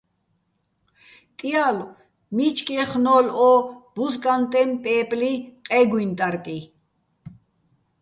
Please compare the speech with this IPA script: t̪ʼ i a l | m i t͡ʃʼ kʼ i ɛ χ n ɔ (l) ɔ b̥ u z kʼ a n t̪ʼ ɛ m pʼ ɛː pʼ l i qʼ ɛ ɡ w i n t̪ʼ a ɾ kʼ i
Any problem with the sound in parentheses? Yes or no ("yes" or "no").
no